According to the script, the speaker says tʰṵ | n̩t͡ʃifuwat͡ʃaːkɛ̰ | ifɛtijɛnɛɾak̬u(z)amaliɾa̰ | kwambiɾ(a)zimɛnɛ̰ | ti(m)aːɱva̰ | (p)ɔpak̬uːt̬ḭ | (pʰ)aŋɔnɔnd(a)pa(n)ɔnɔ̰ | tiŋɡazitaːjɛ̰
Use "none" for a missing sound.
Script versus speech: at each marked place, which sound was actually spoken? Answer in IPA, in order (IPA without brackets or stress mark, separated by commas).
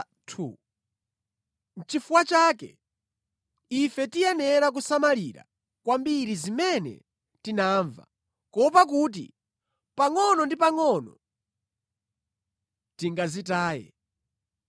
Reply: s, i, n, k, p, i, ŋ